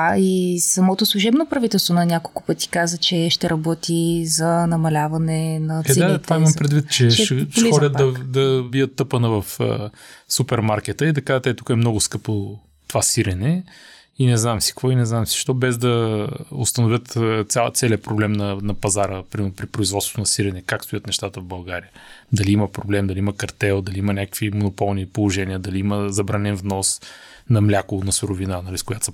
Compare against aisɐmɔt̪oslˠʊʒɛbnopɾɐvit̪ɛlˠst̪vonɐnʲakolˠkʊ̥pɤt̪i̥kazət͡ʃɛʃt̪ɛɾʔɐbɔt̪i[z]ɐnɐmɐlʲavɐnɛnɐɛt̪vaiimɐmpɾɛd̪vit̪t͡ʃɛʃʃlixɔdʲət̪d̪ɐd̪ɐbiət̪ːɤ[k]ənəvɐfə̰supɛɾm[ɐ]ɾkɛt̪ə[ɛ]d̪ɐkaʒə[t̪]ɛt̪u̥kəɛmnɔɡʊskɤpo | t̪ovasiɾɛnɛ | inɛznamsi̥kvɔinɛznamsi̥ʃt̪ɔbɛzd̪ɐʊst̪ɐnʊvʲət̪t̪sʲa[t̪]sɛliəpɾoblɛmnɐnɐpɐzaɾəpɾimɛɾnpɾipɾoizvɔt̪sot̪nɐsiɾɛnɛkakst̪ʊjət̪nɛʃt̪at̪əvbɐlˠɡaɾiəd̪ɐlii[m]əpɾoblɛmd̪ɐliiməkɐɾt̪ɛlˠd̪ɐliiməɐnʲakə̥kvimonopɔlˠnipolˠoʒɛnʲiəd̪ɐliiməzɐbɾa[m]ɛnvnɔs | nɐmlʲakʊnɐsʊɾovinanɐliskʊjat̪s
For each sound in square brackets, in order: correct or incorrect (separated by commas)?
correct, incorrect, incorrect, incorrect, correct, correct, correct, incorrect